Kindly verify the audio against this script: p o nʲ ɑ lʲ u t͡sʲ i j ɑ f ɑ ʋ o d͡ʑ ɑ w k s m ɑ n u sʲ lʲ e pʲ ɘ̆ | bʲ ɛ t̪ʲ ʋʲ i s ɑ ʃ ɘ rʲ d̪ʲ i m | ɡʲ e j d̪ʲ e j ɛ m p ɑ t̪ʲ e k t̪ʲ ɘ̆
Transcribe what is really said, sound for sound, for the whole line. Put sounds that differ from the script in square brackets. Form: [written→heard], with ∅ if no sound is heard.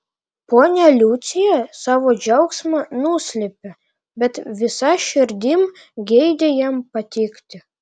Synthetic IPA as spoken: p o nʲ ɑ lʲ u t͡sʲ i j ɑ [f→s] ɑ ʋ o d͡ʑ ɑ w k s m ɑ n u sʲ lʲ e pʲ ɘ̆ | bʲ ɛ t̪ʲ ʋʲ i s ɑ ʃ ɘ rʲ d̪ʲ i m | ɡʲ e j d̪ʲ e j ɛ m p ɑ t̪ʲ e k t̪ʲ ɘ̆